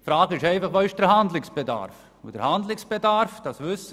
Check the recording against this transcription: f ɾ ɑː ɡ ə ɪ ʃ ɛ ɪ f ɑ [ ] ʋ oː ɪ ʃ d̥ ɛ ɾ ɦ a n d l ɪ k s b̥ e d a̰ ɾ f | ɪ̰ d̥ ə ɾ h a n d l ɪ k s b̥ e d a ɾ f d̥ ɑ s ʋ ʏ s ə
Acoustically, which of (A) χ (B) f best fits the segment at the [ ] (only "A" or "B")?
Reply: A